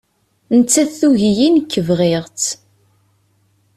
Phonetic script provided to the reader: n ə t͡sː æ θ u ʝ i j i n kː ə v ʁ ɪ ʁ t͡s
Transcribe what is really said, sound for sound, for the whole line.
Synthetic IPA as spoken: n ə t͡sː æ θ u ʝ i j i n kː ə v ʁ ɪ ʁ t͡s